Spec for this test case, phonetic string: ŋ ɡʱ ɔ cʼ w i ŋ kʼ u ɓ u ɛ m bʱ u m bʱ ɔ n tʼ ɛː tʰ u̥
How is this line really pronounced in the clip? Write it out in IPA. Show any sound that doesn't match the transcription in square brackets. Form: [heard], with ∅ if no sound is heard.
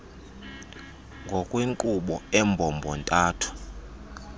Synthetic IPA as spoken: ŋ ɡʱ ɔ [kʼ] w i ŋ kʼ u ɓ [ɔ] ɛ m bʱ [ɔ] m bʱ ɔ n tʼ [aː] tʰ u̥